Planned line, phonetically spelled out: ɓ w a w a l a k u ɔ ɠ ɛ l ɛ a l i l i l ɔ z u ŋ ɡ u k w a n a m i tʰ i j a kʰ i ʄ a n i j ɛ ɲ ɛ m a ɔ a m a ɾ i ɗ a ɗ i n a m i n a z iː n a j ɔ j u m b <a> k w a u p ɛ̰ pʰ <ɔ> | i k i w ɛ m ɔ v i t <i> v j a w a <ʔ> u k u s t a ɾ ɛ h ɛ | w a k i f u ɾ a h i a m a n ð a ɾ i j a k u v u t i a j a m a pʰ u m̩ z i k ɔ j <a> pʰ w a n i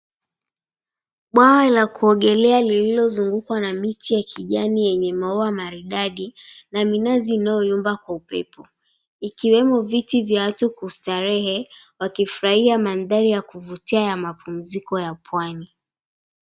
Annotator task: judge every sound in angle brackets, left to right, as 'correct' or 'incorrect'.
correct, correct, correct, incorrect, correct

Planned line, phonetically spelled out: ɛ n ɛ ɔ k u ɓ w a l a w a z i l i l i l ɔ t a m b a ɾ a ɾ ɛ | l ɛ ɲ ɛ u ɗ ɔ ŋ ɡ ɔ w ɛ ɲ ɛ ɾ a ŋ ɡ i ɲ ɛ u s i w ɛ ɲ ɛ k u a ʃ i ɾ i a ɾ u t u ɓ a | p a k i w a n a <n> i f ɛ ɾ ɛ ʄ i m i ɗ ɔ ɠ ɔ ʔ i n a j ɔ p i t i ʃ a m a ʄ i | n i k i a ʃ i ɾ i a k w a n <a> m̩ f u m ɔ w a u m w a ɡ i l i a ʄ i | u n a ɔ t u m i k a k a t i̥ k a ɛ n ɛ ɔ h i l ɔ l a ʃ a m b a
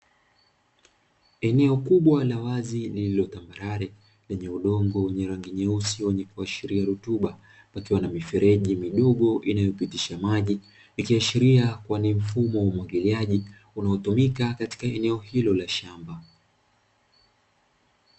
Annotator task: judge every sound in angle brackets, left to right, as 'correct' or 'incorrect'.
incorrect, incorrect

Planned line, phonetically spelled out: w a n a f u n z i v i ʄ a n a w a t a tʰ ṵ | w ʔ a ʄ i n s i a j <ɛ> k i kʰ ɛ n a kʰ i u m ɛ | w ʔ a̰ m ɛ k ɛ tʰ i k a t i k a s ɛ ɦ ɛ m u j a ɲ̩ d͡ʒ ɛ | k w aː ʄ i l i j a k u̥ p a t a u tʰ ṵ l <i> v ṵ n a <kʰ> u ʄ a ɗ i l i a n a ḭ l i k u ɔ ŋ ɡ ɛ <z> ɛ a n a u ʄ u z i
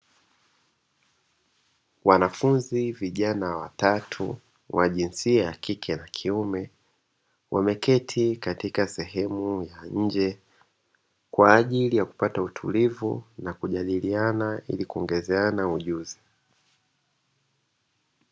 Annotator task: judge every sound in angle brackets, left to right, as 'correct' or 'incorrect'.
incorrect, correct, incorrect, correct

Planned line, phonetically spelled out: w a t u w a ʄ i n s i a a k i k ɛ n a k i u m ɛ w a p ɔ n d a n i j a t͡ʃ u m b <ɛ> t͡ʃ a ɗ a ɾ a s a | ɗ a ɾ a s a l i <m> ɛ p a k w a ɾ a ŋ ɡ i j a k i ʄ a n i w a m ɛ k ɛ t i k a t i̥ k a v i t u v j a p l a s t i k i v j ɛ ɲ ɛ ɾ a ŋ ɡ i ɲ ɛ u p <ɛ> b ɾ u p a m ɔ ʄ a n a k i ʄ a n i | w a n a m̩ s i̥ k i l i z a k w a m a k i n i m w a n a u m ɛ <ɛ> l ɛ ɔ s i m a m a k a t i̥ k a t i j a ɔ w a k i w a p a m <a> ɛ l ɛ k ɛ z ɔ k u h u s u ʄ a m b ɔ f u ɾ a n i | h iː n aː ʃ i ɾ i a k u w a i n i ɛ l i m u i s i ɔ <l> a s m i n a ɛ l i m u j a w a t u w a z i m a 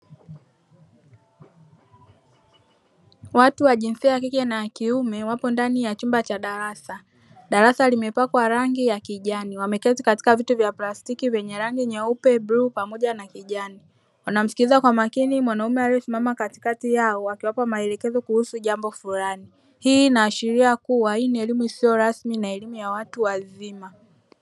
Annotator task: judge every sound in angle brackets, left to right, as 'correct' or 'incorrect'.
incorrect, correct, correct, incorrect, correct, incorrect

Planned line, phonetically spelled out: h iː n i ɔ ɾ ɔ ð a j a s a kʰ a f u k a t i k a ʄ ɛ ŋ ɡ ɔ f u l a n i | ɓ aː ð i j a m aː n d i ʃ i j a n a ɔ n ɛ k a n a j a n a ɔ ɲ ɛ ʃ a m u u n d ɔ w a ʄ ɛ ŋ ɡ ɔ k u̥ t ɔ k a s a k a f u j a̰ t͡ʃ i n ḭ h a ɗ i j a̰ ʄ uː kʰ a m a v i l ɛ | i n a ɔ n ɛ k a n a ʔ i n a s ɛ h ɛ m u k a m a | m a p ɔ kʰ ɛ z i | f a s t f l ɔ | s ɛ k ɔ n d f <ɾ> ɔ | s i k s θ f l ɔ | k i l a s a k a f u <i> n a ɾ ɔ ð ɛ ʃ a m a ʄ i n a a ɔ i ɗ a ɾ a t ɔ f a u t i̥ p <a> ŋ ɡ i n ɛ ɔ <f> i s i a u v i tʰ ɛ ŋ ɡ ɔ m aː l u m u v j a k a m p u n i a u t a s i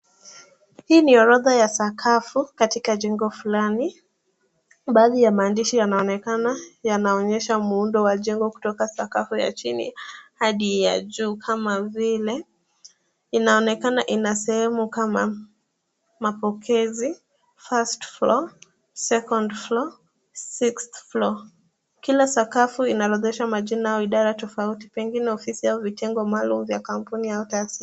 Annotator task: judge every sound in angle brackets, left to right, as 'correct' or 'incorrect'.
incorrect, correct, incorrect, correct

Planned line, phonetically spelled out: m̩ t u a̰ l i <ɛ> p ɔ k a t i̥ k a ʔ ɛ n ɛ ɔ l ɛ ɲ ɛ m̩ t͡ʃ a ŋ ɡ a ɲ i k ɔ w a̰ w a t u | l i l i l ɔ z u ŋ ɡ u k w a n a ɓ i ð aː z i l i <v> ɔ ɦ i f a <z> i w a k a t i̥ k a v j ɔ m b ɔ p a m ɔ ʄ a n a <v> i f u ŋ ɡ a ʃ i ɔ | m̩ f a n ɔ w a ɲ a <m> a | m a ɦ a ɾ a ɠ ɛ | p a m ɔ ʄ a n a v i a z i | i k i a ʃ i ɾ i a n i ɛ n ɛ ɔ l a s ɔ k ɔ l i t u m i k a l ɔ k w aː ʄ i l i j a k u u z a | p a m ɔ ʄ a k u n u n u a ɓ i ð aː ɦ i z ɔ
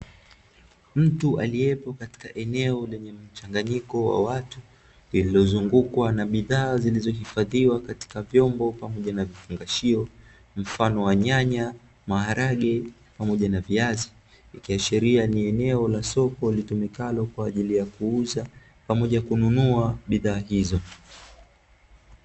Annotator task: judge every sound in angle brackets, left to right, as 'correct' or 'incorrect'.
correct, incorrect, incorrect, correct, incorrect

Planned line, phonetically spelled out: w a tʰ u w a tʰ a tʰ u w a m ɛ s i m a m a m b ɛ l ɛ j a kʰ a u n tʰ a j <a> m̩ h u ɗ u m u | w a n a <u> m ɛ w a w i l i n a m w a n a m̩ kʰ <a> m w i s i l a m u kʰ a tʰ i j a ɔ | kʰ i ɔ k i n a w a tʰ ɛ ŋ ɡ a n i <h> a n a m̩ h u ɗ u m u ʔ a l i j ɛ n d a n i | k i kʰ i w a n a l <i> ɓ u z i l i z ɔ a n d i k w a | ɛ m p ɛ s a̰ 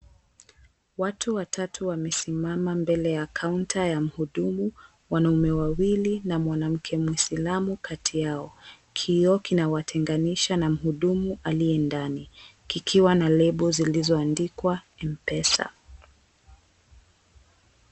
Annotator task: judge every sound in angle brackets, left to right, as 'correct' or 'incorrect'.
correct, correct, incorrect, incorrect, incorrect

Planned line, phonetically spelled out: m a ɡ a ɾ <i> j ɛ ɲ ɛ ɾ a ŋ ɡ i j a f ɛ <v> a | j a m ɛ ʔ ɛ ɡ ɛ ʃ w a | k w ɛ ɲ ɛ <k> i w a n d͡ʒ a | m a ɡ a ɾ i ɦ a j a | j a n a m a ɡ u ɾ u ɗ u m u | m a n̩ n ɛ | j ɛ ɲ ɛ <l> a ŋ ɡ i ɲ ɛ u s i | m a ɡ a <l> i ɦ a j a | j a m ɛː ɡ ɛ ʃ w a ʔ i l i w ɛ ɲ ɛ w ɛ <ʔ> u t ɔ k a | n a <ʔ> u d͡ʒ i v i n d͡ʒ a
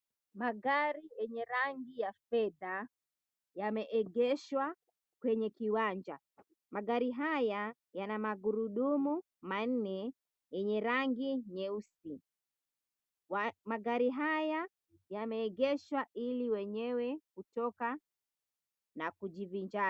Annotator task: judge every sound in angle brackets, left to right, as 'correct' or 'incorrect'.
correct, incorrect, correct, incorrect, incorrect, incorrect, incorrect

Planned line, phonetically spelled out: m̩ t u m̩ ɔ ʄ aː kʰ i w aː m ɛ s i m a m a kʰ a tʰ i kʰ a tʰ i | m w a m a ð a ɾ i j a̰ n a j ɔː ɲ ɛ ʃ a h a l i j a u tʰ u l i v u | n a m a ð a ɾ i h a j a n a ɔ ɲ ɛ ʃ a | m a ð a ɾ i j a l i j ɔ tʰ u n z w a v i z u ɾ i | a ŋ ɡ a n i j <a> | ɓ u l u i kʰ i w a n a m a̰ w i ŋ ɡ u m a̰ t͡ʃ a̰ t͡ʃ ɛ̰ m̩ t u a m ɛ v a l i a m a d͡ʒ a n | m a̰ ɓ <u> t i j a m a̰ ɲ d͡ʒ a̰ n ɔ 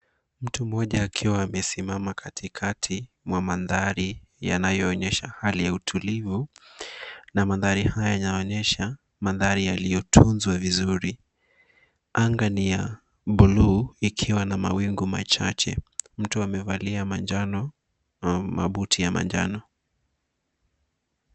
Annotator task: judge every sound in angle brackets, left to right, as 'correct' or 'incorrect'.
correct, correct

